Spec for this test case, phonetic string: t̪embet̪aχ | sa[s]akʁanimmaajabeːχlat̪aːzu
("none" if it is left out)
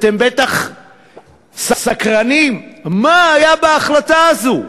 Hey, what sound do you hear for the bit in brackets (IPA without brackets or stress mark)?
s